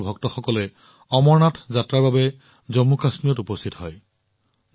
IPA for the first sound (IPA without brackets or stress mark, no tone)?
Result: bʱ